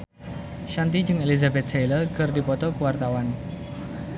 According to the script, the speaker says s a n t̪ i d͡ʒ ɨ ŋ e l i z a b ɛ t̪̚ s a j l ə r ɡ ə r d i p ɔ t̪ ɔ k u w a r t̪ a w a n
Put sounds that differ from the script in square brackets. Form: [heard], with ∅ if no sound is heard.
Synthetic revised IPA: [ʃ] a n t̪ i d͡ʒ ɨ ŋ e l i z a b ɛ t̪̚ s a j l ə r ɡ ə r d i p ɔ t̪ ɔ k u w a r t̪ a w a n